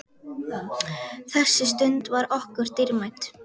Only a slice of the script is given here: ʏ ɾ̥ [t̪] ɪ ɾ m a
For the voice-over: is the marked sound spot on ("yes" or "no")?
yes